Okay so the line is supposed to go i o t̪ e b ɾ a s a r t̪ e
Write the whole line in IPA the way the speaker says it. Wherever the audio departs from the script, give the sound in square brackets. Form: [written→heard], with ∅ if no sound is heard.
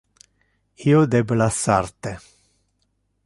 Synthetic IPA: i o [t̪→d̪] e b [ɾ→l] a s a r t̪ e